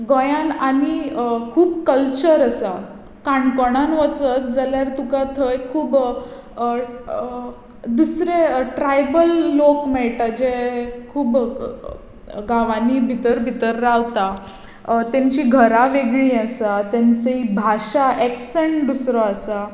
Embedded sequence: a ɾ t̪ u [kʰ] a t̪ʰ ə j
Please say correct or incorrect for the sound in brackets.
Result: incorrect